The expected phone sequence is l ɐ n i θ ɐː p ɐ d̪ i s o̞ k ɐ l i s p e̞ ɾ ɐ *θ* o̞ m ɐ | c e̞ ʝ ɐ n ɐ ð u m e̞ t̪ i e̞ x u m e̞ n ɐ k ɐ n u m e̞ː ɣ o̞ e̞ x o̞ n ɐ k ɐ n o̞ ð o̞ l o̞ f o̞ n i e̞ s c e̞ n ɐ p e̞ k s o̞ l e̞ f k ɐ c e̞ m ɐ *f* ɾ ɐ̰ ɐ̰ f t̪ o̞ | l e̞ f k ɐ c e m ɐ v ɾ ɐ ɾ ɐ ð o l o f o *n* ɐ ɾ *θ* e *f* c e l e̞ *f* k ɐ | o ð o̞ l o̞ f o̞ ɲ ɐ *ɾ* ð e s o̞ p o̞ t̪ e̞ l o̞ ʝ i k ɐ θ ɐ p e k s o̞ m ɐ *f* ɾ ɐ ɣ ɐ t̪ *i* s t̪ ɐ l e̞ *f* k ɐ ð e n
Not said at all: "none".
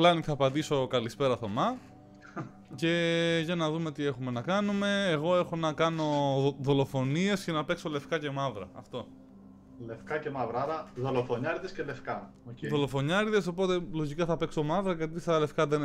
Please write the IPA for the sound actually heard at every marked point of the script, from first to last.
θ, v, ɲ, ð, s, f, ɾ, v, i, f

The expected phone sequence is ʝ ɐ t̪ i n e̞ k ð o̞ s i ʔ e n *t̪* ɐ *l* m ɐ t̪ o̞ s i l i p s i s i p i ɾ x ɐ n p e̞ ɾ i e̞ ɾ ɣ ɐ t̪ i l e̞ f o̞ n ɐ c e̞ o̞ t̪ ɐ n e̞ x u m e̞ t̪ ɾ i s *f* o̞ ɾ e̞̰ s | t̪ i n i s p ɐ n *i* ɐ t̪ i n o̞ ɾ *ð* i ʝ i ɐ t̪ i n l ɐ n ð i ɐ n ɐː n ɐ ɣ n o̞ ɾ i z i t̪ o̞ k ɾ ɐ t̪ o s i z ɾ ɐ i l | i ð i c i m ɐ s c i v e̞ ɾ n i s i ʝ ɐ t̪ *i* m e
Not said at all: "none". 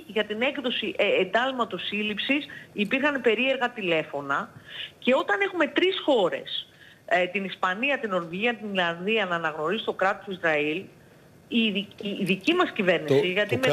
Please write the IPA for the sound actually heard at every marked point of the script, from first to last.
d̪, l, x, i, v, i

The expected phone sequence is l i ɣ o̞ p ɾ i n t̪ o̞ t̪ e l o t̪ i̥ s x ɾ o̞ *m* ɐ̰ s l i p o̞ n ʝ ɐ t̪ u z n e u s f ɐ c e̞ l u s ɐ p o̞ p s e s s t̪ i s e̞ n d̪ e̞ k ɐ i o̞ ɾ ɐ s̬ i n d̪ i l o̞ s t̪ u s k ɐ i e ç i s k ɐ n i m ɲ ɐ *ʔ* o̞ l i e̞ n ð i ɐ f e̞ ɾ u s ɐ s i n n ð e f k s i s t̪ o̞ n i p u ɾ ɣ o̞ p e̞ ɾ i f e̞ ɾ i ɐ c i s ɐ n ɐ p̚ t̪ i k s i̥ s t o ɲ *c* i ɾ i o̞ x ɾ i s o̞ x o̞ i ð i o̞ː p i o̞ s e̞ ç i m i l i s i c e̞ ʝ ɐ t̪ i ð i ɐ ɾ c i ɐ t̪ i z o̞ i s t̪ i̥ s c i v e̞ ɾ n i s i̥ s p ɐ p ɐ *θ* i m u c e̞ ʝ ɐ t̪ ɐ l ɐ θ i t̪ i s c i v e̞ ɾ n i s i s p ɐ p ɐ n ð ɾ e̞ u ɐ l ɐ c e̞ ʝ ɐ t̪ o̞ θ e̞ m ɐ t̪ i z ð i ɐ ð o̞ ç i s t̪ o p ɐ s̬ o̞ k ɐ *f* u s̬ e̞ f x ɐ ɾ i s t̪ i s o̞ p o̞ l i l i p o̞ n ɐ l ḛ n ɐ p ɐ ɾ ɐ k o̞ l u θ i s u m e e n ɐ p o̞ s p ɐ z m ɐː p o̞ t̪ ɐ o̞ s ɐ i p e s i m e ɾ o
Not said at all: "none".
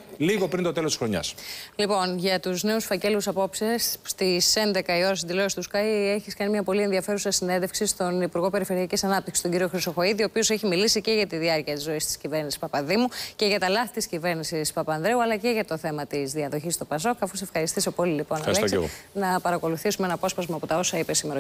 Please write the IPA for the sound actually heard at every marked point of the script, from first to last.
ɲ, p, ɟ, ð, f

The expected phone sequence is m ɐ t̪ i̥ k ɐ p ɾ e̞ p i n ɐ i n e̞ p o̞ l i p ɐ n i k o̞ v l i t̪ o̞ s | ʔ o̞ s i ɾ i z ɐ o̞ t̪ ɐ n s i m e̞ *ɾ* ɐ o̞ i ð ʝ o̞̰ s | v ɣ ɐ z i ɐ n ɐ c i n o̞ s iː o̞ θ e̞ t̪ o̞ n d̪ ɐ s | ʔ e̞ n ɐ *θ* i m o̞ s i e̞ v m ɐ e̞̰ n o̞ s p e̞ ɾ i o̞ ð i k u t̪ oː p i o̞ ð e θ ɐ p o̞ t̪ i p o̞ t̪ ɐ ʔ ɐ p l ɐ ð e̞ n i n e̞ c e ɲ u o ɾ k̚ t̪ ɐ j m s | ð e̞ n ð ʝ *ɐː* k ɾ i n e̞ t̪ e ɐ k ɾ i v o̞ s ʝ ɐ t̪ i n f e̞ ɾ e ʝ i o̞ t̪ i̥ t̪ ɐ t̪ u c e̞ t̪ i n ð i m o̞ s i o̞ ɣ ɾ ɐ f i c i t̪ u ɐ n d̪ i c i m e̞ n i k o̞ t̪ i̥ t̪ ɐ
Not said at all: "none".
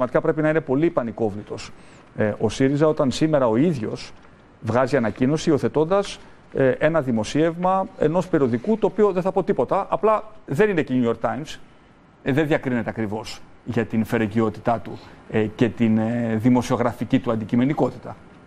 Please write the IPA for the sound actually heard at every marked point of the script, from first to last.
ɾ, ð, ɐ

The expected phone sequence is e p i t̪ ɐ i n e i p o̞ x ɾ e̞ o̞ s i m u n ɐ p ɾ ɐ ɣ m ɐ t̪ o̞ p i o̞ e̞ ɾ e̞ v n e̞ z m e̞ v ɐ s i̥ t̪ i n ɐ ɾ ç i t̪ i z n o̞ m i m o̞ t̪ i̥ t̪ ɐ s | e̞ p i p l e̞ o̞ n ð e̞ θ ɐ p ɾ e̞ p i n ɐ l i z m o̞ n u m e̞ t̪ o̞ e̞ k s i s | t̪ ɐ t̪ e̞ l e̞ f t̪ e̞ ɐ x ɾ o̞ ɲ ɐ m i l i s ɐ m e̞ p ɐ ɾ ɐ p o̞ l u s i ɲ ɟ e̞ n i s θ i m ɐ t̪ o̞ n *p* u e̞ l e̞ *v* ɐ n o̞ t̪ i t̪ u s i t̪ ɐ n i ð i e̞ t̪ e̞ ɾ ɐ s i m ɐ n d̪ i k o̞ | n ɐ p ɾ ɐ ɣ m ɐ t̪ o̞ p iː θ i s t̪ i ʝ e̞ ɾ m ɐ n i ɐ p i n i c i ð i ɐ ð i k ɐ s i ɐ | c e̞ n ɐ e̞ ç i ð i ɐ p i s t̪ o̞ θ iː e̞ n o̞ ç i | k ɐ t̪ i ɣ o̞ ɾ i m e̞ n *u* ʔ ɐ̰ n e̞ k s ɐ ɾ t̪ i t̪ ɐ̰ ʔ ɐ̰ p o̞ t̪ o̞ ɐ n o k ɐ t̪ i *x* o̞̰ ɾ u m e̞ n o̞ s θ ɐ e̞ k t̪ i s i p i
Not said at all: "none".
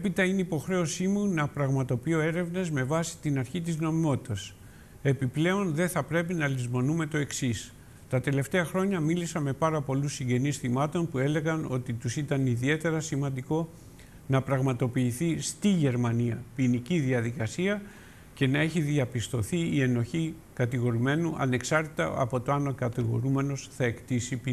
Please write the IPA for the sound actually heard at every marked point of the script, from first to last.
p, ɣ, u, ɣ

